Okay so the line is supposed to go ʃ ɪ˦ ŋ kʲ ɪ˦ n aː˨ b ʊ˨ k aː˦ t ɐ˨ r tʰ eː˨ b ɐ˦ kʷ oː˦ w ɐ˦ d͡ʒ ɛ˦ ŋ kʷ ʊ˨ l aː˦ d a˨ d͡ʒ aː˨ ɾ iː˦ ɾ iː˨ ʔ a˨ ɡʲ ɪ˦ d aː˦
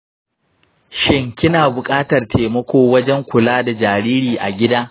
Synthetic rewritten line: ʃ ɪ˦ ŋ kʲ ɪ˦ n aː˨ b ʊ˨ kʼ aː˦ t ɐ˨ r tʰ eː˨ m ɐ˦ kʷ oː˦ w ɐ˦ d͡ʒ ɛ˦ ŋ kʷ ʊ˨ l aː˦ d a˨ d͡ʒ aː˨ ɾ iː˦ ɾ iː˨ ʔ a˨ ɡʲ ɪ˦ d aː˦